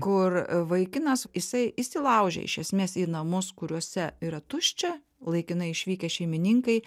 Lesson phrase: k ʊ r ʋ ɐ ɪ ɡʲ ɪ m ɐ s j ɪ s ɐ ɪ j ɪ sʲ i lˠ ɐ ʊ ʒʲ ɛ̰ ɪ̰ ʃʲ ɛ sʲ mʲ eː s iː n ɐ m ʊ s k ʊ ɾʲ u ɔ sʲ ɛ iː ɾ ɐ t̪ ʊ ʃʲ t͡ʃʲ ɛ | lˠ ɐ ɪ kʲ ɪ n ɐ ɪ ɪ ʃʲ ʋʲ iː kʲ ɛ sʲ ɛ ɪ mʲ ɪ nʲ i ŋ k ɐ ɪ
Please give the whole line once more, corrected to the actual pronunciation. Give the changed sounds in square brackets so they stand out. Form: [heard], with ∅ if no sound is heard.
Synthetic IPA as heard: k ʊ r ʋ ɐ ɪ [kʲ] ɪ [n] ɐ s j ɪ s ɐ ɪ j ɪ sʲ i lˠ ɐ ʊ ʒʲ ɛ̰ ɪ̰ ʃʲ ɛ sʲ mʲ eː s iː n ɐ m ʊ s k ʊ ɾʲ u ɔ sʲ ɛ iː ɾ ɐ t̪ ʊ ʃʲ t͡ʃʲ ɛ | lˠ ɐ ɪ kʲ ɪ n ɐ ɪ ɪ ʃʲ ʋʲ iː kʲ ɛ [ʃʲ] ɛ ɪ mʲ ɪ nʲ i ŋ k ɐ ɪ